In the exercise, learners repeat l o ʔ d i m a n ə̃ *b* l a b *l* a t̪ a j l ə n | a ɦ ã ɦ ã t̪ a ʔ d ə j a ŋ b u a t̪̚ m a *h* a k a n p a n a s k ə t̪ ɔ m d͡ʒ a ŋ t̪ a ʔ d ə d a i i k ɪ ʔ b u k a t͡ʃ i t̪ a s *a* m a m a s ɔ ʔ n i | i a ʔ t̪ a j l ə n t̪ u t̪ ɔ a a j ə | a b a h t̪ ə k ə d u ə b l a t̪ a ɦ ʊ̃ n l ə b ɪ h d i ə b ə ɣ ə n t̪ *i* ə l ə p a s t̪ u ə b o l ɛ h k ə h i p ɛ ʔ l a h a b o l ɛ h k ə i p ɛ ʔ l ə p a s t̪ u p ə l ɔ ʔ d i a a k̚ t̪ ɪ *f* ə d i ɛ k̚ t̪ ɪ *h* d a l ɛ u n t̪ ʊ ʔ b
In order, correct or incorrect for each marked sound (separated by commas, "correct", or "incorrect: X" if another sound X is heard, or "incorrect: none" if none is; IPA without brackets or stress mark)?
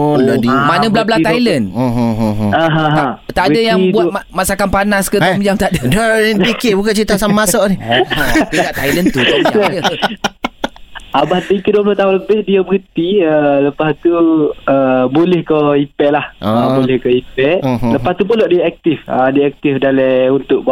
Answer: correct, correct, incorrect: s, correct, correct, correct, incorrect: f